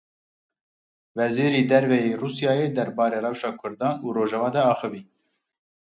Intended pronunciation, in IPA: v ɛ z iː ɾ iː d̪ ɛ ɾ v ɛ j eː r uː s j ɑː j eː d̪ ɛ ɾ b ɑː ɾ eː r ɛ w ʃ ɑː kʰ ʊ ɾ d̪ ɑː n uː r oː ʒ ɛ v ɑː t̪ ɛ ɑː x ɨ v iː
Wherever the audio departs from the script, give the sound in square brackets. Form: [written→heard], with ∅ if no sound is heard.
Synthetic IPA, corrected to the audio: v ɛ z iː ɾ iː d̪ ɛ ɾ v ɛ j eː r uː s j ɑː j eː d̪ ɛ ɾ b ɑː ɾ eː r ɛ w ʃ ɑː kʰ ʊ ɾ d̪ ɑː n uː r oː ʒ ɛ v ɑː [t̪→d̪] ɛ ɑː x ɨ v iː